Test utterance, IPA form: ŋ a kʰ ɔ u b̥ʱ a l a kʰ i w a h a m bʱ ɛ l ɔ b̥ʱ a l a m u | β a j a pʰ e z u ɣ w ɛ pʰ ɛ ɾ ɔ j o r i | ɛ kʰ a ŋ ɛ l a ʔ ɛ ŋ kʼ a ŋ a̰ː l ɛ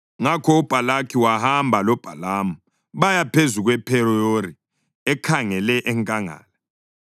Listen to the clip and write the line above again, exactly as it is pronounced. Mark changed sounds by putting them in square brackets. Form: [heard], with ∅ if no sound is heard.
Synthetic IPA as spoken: ŋ a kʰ ɔ u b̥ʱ a l a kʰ i w a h a m bʱ [a] l ɔ b̥ʱ a l a m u | β a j a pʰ e z u ɣ w ɛ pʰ ɛ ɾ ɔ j o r i | ɛ kʰ a ŋ ɛ l [ɛ] ʔ ɛ ŋ kʼ a ŋ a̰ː l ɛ